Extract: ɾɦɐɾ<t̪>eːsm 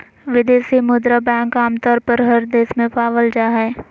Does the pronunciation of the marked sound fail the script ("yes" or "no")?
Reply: yes